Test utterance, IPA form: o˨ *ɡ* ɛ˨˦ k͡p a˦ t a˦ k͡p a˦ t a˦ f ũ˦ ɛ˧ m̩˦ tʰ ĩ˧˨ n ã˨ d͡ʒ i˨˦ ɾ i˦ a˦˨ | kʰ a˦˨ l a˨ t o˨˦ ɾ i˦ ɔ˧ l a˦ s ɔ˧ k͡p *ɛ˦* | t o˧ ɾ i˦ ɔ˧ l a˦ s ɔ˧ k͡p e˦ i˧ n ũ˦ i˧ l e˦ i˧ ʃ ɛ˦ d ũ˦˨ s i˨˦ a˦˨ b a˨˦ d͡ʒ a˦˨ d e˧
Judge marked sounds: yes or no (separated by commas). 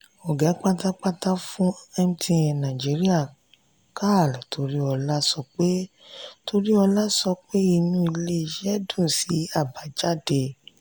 yes, no